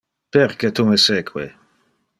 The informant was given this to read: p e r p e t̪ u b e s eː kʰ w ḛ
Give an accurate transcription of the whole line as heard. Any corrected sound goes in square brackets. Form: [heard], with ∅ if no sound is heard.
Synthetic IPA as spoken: p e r [k] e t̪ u [m] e s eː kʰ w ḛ